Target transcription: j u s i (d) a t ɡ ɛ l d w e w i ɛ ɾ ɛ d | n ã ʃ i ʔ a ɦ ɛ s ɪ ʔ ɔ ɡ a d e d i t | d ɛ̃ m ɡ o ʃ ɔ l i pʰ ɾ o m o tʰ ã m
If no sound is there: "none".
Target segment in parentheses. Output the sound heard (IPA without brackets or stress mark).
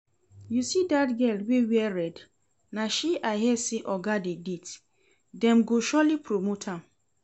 d